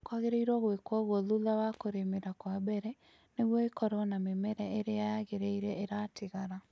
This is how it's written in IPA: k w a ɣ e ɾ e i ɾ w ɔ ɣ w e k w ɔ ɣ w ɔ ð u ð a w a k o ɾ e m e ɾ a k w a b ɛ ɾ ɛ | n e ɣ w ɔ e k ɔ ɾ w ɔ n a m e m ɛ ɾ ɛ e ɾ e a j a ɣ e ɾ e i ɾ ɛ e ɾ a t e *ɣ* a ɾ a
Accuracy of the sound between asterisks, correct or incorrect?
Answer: correct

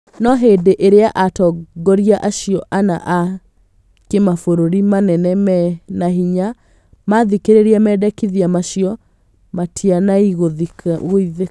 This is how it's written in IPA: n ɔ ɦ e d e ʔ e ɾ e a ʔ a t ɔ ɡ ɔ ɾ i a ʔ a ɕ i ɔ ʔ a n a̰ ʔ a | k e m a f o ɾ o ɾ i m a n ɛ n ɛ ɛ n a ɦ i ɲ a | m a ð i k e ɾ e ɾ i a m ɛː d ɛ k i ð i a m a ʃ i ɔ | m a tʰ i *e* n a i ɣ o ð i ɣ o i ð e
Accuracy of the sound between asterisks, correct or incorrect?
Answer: incorrect: a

